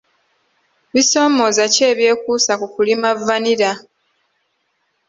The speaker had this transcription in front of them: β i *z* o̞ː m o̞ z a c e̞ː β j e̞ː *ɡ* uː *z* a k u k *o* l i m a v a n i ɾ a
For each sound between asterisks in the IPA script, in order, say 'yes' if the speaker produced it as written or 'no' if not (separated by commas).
no, no, no, no